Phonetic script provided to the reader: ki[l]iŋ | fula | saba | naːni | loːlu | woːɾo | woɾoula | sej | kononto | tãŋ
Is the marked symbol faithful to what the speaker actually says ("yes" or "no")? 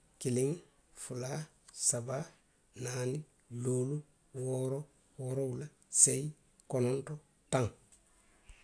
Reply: yes